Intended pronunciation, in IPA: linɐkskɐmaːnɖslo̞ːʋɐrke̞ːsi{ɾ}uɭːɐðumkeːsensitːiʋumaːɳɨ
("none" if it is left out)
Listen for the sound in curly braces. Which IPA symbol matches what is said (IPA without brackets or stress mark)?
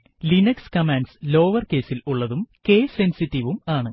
l